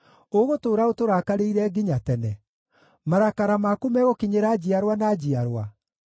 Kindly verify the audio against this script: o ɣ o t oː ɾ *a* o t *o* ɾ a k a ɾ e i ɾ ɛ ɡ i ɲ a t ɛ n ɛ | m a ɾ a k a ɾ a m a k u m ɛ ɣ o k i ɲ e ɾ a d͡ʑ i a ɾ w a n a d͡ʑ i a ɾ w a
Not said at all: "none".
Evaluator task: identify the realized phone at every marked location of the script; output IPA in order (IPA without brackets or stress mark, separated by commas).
a, o